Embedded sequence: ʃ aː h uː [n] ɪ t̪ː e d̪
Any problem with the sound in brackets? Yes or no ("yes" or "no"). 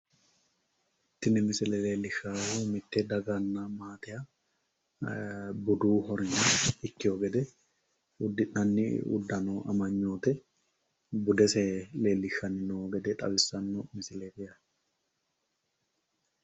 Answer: yes